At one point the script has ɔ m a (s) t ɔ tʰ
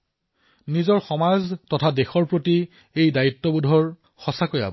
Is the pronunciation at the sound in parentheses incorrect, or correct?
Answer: incorrect: z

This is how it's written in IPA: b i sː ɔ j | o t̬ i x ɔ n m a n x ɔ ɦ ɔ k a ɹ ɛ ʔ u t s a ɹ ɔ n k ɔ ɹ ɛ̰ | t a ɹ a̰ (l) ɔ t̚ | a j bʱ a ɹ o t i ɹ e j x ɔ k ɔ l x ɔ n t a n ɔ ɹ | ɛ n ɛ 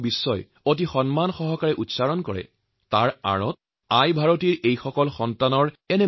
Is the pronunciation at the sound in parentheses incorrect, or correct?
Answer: incorrect: ɹ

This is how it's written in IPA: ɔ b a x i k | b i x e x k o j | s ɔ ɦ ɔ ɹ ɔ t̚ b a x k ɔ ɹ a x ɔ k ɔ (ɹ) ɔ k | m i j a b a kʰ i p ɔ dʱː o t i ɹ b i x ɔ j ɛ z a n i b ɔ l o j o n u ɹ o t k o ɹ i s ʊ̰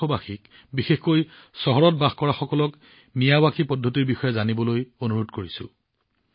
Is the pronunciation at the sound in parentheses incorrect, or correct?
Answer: incorrect: l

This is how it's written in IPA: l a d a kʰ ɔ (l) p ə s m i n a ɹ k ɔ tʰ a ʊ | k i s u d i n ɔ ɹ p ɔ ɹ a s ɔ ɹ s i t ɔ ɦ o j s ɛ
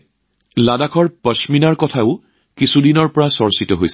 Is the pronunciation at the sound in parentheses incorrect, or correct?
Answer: incorrect: ɹ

